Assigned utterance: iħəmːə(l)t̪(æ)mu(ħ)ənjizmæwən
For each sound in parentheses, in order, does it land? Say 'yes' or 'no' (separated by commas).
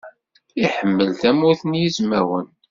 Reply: yes, yes, no